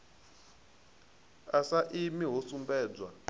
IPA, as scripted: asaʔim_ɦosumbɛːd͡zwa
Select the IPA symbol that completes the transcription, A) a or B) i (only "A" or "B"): B